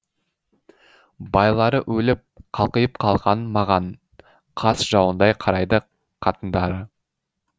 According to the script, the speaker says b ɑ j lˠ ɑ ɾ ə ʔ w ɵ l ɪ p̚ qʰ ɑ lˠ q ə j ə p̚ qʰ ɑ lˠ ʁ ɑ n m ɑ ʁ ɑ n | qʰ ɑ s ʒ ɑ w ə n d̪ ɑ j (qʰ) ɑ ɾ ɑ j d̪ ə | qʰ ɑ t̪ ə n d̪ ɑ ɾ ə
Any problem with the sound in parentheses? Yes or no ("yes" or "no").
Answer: no